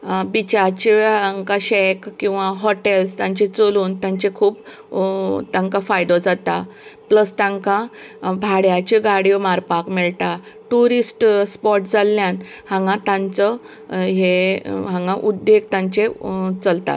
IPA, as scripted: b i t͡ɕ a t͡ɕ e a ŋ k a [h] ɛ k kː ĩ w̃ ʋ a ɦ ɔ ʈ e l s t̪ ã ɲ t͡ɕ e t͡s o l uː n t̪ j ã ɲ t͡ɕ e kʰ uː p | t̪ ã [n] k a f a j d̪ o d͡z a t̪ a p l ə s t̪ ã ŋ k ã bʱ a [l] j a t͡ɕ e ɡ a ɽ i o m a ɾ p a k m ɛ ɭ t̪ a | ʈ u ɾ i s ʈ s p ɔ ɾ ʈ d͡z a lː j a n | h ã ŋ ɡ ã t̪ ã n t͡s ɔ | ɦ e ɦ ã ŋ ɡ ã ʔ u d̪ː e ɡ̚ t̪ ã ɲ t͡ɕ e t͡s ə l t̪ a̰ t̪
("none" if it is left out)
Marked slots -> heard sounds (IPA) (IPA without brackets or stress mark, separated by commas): ɕ, ŋ, ɽ